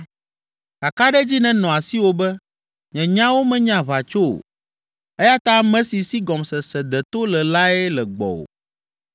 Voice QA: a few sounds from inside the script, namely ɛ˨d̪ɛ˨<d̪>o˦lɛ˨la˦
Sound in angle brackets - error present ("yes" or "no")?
yes